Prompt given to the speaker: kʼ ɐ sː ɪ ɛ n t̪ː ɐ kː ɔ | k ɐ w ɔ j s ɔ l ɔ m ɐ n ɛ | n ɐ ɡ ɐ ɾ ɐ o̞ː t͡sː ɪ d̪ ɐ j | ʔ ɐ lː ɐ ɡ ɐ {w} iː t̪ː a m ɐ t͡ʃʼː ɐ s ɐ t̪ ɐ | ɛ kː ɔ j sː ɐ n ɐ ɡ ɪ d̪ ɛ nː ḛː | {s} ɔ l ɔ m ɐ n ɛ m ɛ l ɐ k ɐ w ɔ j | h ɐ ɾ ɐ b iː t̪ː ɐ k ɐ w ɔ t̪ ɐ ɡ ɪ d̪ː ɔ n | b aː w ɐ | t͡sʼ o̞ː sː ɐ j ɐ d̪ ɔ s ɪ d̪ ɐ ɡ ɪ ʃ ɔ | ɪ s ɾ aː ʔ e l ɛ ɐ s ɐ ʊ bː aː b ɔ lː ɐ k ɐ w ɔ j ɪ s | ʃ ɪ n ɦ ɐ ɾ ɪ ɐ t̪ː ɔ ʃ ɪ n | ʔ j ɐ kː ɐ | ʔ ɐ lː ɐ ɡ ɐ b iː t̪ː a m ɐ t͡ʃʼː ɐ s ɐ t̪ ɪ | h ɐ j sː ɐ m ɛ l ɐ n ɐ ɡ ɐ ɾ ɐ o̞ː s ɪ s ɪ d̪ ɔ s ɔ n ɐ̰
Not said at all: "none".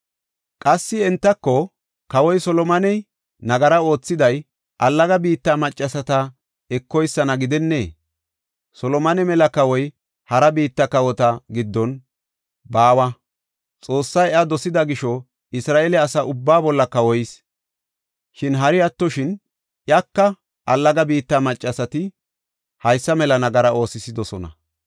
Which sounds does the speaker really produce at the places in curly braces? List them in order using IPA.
b, s

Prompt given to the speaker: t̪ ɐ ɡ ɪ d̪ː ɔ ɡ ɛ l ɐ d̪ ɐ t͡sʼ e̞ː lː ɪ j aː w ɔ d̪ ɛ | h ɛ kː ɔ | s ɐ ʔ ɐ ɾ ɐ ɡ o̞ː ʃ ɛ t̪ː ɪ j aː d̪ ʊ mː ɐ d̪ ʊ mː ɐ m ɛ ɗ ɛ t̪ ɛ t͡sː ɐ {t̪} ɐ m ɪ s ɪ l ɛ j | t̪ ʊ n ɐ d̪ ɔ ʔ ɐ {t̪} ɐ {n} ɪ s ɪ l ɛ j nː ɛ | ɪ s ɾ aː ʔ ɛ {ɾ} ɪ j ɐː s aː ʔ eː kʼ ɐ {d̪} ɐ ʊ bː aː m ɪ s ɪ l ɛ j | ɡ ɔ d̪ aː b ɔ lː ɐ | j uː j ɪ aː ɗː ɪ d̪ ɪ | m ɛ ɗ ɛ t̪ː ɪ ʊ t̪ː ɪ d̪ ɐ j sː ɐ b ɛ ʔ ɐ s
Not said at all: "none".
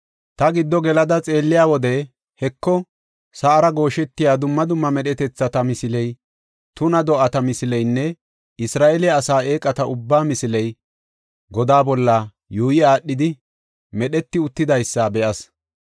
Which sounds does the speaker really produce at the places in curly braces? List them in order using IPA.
t̪, t̪, m, l, t̪

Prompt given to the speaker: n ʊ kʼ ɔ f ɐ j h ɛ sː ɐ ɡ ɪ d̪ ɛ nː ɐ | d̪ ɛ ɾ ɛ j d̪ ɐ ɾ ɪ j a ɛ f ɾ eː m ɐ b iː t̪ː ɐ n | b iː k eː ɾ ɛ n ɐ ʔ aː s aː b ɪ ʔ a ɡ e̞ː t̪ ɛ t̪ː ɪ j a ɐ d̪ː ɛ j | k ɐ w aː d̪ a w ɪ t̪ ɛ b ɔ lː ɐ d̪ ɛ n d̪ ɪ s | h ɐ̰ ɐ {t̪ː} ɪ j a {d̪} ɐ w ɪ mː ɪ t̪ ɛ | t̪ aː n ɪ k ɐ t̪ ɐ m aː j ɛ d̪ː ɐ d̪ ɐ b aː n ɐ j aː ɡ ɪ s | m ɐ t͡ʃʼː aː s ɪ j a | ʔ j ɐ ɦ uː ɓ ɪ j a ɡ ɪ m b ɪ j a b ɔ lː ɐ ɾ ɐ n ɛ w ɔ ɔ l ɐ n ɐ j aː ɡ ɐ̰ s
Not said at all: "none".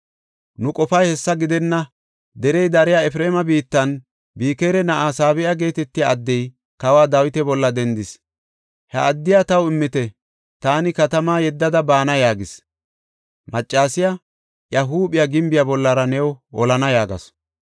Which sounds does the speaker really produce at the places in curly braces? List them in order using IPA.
d̪ː, t̪

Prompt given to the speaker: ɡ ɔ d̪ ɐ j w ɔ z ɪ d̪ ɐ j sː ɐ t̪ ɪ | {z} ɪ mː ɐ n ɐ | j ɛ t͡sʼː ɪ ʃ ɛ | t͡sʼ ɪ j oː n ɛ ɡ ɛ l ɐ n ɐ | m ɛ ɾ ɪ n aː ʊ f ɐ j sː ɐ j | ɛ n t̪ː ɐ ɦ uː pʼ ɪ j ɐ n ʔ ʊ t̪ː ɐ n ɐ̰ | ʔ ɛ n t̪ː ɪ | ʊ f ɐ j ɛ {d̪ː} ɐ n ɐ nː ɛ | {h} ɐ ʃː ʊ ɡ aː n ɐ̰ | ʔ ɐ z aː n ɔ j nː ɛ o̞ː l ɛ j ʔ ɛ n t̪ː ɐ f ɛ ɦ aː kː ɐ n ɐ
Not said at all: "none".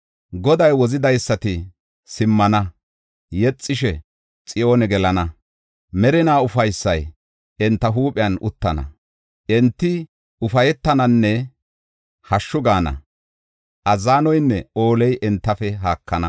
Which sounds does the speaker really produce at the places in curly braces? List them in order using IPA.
s, t̪ː, h

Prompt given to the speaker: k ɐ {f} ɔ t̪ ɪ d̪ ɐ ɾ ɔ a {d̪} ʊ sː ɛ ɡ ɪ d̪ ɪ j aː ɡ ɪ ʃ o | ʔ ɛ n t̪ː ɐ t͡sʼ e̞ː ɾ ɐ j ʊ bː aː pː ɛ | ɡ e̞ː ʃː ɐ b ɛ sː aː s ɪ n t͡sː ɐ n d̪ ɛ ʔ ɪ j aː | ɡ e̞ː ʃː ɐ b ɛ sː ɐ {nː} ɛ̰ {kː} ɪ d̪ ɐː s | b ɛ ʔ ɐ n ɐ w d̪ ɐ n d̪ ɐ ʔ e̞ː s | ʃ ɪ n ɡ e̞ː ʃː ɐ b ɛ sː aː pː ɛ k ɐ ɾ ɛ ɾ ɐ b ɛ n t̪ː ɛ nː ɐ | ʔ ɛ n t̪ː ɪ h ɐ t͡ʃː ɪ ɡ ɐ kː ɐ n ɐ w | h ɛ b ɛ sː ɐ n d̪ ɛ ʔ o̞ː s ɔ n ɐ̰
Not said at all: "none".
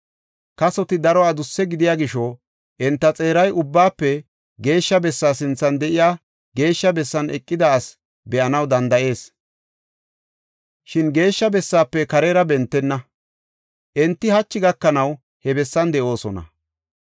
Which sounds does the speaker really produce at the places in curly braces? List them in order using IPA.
s, d̪, n, kʼː

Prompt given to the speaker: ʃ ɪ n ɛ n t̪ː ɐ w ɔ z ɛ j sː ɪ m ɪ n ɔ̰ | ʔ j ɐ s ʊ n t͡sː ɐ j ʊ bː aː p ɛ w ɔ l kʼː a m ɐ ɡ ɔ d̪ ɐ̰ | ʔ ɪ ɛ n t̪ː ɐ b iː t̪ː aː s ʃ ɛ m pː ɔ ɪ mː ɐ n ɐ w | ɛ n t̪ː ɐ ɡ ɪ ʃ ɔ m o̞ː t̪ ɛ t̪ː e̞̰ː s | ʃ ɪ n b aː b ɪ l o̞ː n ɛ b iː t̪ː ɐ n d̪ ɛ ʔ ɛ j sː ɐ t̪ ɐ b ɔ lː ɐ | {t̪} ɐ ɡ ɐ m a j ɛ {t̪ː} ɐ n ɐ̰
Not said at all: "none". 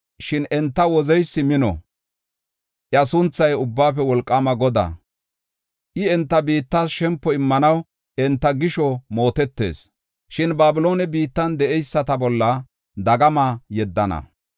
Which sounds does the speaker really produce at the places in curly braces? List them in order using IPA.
d̪, d̪ː

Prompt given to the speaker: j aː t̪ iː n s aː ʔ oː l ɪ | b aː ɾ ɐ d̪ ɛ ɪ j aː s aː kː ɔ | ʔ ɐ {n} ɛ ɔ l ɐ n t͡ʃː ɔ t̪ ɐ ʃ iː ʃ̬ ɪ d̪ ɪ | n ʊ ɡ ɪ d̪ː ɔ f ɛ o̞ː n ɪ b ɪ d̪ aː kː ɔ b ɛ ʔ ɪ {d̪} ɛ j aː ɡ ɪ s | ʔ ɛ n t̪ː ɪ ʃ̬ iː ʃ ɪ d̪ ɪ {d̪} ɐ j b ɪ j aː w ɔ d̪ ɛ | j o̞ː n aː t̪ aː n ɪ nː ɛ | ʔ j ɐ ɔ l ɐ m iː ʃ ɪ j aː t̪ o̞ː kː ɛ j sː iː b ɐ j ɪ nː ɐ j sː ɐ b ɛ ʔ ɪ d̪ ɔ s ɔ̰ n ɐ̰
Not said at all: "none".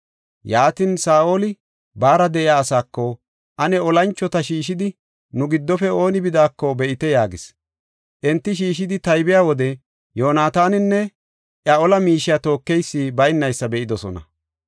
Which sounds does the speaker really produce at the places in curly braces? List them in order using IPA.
n, t̪, t̪

